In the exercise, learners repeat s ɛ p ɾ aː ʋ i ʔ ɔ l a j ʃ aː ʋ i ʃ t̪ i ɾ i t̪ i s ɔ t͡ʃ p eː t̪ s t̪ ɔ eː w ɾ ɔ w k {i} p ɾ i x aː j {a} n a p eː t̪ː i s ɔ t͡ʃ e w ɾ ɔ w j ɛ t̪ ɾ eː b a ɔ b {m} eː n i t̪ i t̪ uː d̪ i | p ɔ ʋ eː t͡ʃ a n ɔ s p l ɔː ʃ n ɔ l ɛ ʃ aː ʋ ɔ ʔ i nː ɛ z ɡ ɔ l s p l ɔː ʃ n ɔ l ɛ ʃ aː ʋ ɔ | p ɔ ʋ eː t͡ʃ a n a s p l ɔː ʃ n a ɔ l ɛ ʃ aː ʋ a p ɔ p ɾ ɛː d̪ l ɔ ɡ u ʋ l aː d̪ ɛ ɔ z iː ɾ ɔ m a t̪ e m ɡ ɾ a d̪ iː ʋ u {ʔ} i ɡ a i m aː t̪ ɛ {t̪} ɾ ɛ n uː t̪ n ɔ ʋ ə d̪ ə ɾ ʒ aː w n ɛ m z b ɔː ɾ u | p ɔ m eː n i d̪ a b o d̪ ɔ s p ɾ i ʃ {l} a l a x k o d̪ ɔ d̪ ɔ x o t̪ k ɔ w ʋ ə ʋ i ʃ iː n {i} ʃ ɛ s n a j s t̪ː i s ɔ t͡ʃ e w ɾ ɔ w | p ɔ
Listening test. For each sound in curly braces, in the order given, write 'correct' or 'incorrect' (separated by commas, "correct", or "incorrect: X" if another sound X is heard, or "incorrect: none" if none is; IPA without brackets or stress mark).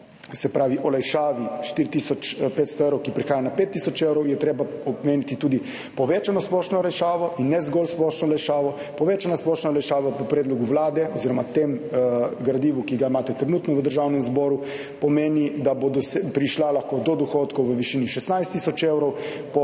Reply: correct, correct, correct, incorrect: k, correct, correct, correct